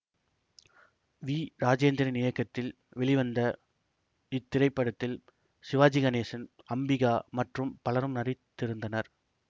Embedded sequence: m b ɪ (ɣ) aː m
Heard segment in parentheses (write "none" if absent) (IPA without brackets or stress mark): ɣ